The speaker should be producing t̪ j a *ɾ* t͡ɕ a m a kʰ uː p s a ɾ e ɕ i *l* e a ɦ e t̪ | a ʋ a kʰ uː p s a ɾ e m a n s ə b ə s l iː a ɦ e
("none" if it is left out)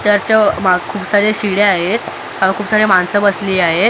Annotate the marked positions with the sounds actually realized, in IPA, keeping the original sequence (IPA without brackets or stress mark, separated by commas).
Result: ɾ, ɽ